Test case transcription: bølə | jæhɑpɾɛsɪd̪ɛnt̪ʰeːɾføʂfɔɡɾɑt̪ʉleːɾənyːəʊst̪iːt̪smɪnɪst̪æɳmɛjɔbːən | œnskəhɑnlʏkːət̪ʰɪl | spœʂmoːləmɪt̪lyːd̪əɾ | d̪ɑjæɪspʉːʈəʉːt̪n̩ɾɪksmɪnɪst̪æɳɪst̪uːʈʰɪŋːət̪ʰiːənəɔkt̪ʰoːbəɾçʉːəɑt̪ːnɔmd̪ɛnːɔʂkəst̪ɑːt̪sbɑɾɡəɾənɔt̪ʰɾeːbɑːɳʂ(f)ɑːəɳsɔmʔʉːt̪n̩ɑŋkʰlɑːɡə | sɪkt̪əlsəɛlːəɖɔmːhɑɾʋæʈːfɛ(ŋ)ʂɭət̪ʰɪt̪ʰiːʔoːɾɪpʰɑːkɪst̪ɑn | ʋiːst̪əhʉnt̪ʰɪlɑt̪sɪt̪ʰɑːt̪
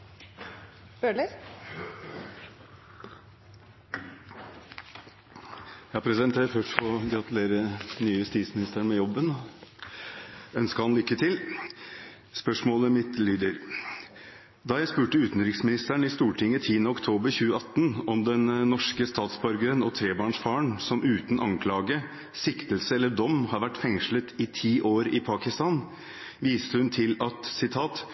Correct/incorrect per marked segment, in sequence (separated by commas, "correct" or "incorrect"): correct, correct